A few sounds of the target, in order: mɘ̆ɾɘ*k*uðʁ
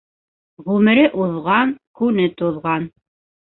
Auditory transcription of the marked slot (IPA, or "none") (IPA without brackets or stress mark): ʔ